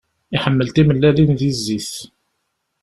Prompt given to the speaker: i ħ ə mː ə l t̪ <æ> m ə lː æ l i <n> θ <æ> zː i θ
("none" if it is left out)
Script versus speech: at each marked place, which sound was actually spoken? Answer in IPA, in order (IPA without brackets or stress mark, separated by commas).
i, n, i